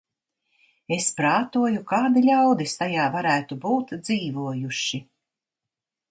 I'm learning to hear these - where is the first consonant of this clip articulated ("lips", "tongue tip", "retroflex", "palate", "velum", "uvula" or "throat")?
tongue tip